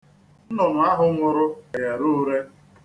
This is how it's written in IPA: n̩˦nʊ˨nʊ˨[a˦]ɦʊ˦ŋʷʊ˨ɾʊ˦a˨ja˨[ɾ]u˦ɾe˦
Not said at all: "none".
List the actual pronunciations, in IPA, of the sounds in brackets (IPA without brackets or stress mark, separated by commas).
a˦, ɾ